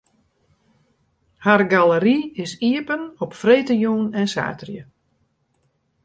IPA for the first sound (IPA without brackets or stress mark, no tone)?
h